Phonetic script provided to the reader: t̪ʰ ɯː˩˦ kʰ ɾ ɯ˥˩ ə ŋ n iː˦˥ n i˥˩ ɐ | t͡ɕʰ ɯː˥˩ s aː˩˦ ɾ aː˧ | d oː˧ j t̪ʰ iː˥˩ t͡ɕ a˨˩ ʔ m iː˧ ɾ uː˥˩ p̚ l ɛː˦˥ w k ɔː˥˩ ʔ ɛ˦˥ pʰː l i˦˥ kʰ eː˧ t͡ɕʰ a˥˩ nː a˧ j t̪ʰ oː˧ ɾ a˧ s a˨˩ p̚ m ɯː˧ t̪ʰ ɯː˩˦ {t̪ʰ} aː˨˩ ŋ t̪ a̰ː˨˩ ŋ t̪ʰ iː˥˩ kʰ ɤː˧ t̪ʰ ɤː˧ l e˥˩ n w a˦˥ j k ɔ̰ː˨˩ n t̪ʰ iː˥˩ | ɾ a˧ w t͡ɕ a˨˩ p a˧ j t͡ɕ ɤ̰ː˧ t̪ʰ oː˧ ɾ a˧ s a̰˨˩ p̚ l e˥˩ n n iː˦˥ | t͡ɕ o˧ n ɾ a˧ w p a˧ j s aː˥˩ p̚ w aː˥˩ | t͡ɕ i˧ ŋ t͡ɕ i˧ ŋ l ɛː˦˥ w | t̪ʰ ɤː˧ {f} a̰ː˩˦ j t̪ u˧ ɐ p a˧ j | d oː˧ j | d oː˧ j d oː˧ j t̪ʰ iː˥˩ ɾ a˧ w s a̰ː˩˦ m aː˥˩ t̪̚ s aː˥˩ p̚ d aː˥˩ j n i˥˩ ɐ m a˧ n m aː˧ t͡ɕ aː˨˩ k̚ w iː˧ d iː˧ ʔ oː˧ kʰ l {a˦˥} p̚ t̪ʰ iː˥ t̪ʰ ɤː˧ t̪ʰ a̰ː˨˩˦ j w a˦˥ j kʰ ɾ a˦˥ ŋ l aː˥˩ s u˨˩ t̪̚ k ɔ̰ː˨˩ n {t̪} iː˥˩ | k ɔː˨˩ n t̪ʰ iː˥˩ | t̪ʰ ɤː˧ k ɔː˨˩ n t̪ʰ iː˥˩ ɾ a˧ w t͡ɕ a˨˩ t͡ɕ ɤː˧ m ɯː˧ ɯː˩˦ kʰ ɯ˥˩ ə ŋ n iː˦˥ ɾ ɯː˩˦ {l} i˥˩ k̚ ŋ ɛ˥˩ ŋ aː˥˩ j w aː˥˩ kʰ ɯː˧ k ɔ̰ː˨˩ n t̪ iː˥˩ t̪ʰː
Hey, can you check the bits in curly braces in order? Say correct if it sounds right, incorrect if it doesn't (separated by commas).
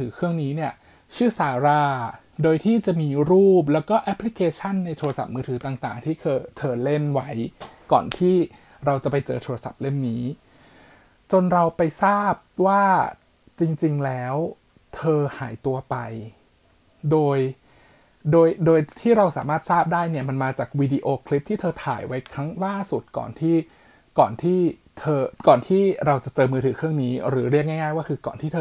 incorrect, incorrect, incorrect, incorrect, incorrect